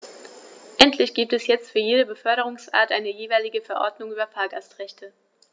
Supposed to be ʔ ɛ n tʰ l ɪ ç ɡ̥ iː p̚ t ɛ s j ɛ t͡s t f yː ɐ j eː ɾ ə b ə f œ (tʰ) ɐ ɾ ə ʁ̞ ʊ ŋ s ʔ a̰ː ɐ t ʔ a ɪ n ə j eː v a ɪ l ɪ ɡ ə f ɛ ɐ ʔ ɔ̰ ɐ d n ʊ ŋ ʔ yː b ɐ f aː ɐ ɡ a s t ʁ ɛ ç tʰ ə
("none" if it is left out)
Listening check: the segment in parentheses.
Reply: none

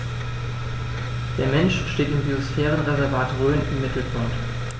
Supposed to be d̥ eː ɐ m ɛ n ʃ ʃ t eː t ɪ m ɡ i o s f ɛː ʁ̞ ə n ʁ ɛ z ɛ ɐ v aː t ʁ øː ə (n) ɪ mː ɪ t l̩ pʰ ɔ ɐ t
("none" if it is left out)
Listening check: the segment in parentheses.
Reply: n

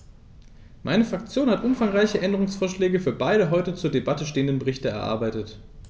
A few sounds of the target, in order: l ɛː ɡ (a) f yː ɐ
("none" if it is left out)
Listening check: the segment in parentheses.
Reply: ə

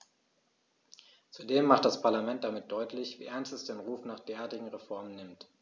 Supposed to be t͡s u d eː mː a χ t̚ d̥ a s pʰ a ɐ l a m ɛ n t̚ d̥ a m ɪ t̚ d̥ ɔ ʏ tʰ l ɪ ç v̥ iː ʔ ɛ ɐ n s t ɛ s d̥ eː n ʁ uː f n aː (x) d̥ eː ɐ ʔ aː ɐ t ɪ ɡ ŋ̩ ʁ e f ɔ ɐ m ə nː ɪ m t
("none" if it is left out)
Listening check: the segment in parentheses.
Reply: χ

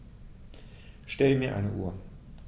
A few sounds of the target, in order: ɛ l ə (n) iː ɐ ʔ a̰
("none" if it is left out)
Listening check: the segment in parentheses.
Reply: m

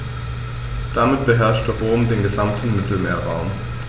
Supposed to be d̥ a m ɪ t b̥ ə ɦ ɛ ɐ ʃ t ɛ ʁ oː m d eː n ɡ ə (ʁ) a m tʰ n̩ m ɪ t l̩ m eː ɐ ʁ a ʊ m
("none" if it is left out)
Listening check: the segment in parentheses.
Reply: z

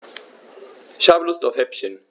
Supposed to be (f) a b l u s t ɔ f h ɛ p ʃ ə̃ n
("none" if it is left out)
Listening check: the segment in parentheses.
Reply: ʃ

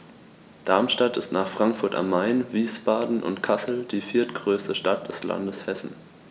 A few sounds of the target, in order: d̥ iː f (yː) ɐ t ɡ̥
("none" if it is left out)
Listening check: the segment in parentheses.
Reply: iː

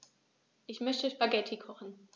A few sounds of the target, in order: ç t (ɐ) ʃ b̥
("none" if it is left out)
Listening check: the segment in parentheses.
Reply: ə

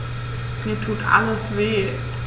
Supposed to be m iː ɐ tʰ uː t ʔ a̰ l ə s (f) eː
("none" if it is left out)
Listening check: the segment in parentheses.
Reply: v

